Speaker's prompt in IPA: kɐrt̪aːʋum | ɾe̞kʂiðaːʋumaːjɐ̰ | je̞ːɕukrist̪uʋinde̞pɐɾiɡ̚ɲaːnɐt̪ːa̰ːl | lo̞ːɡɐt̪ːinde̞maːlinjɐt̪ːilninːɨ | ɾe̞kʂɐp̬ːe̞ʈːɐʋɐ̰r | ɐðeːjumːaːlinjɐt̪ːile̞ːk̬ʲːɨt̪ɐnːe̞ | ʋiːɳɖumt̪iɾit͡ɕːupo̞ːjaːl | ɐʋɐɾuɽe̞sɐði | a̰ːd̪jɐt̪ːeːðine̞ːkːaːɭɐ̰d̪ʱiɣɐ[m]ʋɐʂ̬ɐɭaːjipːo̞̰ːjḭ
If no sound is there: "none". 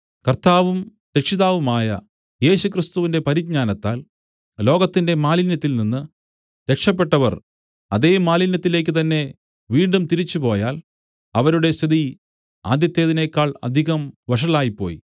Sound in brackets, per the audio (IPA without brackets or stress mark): m